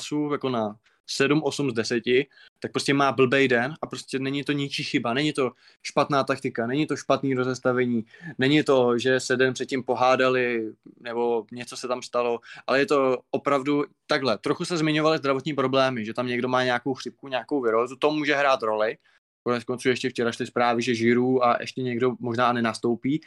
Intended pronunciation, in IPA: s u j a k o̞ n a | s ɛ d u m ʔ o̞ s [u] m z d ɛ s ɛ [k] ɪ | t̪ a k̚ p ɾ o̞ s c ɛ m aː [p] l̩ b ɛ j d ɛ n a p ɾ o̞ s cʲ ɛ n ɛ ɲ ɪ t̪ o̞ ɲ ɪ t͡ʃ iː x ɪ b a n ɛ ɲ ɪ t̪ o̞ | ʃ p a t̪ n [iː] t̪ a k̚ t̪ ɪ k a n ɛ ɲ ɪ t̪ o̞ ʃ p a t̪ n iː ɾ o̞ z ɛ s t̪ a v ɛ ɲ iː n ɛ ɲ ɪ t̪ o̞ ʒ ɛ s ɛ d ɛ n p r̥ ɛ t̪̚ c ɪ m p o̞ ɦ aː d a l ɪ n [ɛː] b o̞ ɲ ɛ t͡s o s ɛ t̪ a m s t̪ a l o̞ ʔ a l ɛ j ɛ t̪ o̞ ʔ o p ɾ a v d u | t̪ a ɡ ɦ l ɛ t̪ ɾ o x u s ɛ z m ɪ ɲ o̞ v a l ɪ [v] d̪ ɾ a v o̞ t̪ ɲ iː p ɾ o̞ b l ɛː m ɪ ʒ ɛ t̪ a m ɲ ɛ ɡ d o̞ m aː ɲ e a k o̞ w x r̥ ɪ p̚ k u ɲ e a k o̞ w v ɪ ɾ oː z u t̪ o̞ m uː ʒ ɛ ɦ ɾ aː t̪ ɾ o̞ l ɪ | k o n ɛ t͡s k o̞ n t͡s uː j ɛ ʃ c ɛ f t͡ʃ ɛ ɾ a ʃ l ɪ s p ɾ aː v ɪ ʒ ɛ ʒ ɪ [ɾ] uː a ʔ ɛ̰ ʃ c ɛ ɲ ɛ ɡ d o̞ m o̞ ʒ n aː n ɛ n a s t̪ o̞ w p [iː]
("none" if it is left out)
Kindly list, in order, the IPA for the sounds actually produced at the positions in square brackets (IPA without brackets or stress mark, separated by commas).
u, c, b, aː, ɛ, z, ɾ, iː